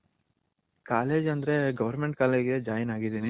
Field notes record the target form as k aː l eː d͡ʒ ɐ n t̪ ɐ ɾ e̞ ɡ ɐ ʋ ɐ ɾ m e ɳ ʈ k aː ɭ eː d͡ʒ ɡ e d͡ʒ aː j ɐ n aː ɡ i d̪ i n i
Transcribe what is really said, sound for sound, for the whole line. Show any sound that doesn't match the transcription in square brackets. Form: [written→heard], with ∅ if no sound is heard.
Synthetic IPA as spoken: k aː l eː d͡ʒ ɐ n [t̪→d̪] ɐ ɾ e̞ ɡ ɐ ʋ ɐ ɾ m e ɳ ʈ k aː [ɭ→l] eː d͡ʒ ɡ e d͡ʒ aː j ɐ n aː ɡ i d̪ i n i